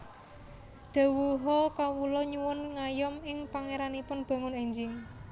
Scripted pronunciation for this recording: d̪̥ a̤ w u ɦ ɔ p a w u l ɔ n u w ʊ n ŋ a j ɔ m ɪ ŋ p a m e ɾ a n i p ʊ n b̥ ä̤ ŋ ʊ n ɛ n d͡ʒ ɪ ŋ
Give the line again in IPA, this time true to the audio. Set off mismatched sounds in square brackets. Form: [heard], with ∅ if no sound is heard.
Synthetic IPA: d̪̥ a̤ w u ɦ ɔ [k] a w u l ɔ [ɲ] u w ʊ n ŋ a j ɔ m ɪ ŋ p a [ŋ] e ɾ a n i p ʊ n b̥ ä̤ ŋ ʊ n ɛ [ɲ] d͡ʒ ɪ ŋ